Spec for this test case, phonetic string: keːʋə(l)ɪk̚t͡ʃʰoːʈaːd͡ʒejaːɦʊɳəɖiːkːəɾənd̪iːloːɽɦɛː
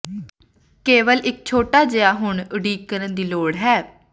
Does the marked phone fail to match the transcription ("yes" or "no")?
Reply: no